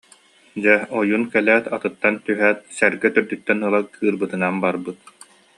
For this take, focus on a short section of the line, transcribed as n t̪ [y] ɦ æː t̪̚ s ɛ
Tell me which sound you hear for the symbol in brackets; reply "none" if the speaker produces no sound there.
y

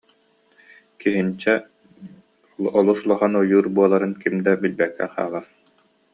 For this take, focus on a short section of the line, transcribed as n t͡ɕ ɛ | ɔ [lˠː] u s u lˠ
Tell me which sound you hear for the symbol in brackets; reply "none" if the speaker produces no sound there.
lˠ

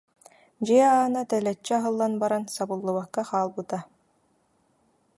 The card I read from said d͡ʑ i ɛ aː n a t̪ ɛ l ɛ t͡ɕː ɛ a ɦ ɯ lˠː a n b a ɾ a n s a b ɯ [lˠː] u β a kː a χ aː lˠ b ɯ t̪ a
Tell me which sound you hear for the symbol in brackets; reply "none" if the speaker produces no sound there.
lˠː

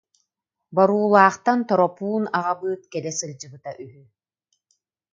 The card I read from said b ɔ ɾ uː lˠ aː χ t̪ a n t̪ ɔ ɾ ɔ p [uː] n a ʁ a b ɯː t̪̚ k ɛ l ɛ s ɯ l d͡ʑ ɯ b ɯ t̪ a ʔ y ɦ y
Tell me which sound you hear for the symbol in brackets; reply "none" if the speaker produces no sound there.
uː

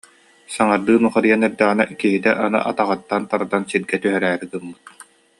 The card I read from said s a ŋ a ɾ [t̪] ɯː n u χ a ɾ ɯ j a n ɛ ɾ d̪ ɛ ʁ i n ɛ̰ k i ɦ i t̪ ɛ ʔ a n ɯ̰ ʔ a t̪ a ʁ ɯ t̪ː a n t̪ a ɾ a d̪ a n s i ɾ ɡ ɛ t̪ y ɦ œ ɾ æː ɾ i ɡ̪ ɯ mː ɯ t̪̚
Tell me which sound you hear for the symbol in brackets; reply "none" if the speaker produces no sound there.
d̪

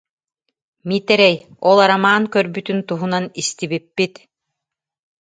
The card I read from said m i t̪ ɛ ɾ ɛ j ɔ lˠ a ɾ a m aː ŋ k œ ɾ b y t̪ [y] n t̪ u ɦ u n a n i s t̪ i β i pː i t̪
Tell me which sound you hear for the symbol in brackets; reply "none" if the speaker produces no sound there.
y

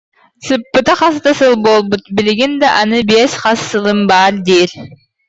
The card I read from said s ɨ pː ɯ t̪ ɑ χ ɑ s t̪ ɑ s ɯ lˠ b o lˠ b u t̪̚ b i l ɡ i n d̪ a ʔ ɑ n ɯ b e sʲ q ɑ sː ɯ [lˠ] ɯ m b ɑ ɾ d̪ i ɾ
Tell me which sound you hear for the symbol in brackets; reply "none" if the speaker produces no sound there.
lˠ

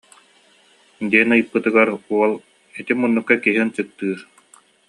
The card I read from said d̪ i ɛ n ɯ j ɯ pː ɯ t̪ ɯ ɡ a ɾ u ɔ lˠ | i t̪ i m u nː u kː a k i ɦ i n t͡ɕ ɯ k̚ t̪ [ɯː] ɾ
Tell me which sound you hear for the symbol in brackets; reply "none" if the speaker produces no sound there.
ɯː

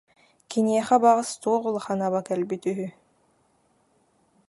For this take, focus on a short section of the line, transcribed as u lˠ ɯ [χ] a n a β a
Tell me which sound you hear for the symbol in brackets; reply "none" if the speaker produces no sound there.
χ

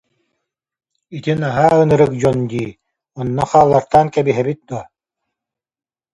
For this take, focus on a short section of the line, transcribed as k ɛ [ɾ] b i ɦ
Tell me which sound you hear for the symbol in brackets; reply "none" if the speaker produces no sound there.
none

